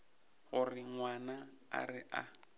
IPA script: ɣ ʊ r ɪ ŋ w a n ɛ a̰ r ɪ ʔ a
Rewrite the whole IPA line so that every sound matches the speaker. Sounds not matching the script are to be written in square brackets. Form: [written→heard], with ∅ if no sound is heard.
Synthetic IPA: ɣ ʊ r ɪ ŋ w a n [ɛ→a] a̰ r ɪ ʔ a

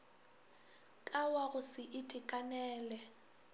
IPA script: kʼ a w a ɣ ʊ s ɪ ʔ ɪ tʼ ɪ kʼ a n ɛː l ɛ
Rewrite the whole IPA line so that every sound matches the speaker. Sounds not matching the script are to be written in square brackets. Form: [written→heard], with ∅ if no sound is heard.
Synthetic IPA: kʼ a w a ɣ ʊ s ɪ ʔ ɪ tʼ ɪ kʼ a n ɛː l ɛ

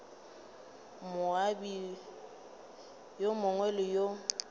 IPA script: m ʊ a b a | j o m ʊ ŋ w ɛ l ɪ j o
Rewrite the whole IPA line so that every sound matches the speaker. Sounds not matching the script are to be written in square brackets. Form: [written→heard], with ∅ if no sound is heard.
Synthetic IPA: m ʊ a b [a→i] | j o m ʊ ŋ w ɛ l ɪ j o

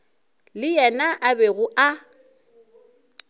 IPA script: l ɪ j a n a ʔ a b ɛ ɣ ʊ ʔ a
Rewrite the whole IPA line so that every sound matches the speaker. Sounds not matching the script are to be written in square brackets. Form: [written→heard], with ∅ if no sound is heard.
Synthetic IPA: l ɪ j [a→ɛ] n a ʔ a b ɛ ɣ ʊ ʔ a

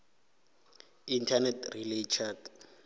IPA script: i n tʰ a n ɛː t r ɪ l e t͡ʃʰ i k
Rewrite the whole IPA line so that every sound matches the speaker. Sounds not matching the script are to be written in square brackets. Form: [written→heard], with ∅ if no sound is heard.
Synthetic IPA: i n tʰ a n [ɛː→ɛ] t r [ɪ→i] l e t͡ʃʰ [i→a] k

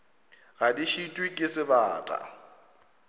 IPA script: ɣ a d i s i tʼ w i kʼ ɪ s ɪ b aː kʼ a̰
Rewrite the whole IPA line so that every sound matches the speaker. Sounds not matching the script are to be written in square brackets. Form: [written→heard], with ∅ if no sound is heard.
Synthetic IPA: ɣ a d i [s→ʃ] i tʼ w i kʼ ɪ s ɪ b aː [kʼ→tʼ] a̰

